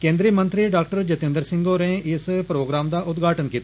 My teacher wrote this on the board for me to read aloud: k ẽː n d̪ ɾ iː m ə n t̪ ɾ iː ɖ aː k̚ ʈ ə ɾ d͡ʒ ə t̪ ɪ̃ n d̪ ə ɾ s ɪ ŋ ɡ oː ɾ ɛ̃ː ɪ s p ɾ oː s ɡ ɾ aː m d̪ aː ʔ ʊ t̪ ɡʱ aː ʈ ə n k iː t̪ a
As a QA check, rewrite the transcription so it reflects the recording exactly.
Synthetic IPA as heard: k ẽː n d̪ ɾ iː m ə n t̪ ɾ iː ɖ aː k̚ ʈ ə ɾ d͡ʒ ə t̪ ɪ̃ n d̪ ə ɾ s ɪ ŋ ɡ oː ɾ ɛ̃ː ɪ s p ɾ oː ɡ ɾ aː m d̪ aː ʔ ʊ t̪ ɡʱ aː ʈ ə n k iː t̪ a